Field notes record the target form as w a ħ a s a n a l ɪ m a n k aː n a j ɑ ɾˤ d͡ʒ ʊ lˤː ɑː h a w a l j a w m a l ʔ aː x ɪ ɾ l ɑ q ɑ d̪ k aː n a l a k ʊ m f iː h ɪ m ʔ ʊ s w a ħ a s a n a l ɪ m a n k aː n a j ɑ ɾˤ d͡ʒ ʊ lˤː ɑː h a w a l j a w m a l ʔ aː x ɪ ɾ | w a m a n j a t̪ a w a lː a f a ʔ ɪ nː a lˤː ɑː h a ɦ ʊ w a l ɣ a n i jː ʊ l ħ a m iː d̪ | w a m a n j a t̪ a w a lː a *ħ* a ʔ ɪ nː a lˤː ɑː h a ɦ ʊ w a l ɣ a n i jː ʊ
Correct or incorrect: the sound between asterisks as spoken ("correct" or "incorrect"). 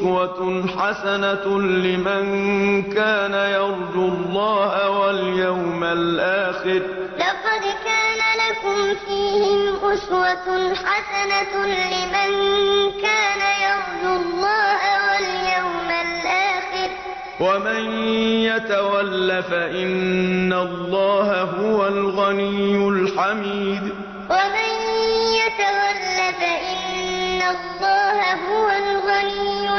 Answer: incorrect